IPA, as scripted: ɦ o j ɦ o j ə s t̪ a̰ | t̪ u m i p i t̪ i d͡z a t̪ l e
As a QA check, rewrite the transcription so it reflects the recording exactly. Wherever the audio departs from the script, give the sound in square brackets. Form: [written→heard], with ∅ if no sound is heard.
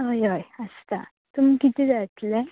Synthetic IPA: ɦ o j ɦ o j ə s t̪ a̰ | t̪ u m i [p→k] i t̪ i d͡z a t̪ l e